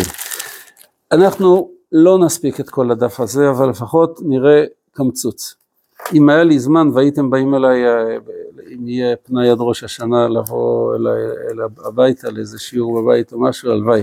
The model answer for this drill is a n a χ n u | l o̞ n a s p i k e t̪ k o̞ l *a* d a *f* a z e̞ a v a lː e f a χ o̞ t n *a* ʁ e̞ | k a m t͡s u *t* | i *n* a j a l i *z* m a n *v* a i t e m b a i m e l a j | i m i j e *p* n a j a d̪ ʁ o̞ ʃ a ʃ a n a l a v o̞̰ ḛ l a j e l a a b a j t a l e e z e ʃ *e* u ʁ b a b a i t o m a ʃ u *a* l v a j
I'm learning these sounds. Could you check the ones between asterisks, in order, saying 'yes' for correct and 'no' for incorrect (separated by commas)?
yes, yes, no, no, no, yes, yes, yes, no, yes